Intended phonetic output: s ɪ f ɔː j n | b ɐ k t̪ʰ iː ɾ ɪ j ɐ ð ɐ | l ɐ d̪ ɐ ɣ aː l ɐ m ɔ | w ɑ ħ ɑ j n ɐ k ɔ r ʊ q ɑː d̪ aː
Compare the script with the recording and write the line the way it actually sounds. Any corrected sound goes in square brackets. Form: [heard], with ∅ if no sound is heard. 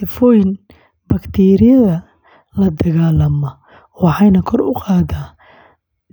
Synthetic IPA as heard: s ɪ f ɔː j n | b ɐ k t̪ʰ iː ɾ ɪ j ɐ ð ɐ | l ɐ d̪ ɐ ɣ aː l ɐ m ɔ | w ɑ ħ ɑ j n ɐ [kʰ] ɔ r ʊ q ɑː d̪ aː